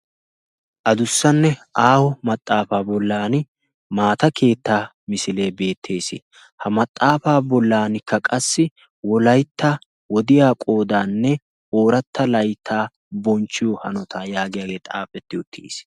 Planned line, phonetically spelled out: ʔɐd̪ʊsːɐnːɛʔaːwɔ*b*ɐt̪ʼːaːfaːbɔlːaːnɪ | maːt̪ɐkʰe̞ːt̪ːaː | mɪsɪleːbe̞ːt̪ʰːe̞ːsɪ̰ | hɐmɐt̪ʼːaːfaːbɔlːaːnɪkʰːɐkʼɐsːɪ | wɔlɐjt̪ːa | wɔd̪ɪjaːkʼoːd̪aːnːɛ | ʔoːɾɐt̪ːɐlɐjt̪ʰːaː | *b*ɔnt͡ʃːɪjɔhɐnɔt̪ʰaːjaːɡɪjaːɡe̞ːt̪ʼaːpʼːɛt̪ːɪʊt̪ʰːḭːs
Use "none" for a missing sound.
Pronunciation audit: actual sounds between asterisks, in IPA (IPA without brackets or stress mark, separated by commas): m, b